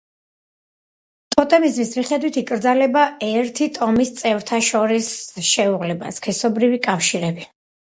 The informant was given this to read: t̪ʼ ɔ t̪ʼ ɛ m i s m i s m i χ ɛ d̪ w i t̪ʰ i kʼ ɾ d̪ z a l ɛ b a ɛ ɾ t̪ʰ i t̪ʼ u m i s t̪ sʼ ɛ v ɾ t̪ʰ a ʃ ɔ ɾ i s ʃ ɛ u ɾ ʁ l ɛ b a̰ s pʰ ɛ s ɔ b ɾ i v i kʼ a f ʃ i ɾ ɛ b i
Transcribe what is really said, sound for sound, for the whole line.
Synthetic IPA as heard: t̪ʼ ɔ t̪ʼ ɛ m i z m i s m i χ ɛ d̪ w i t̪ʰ i kʼ ɾ d̪ z a l ɛ b a ɛ ɾ t̪ʰ i t̪ʼ ɔ m i s t̪ sʼ ɛ v ɾ t̪ʰ a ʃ ɔ ɾ i s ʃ ɛ u ʁ l ɛ b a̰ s kʰ ɛ s ɔ b ɾ i v i kʼ a f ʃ i ɾ ɛ b i